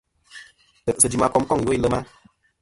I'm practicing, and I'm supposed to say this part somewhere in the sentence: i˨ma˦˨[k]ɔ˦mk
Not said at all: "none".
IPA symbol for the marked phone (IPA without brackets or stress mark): k